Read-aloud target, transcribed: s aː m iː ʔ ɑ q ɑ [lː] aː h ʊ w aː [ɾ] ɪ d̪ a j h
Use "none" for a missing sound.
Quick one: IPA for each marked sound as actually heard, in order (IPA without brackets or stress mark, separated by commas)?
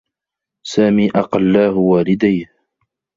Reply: lː, l